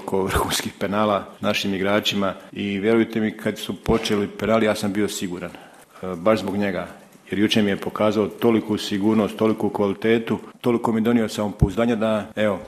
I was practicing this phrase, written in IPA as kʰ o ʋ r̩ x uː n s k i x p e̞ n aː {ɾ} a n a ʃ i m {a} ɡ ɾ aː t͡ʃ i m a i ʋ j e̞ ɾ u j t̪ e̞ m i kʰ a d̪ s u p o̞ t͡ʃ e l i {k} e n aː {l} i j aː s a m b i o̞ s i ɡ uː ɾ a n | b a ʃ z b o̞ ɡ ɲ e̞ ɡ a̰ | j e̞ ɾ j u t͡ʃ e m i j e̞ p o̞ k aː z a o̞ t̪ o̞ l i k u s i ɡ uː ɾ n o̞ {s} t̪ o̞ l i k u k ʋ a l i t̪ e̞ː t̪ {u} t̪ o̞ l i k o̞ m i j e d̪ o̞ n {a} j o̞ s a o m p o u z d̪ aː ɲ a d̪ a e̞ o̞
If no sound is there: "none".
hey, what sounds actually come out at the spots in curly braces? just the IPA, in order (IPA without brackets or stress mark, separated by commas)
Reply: l, i, p, l, s, u, i